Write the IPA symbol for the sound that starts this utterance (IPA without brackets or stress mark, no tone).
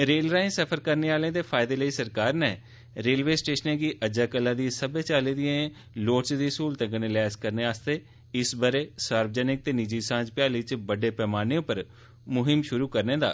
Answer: ɾ